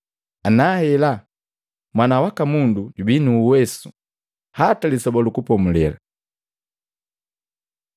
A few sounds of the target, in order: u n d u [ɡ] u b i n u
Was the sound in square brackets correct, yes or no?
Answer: no